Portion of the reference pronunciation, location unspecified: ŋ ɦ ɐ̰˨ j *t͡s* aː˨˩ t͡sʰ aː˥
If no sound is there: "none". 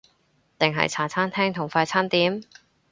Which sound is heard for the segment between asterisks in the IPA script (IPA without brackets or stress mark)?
t͡sʰ